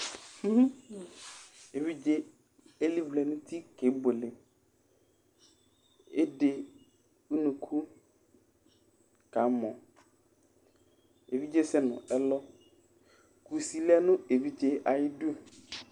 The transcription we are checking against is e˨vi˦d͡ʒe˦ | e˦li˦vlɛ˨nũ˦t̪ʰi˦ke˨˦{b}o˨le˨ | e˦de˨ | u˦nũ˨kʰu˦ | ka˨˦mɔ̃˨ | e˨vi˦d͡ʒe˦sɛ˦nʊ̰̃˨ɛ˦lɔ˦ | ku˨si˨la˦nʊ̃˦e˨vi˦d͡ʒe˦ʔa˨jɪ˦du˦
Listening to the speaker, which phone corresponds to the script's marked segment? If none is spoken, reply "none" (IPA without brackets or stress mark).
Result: b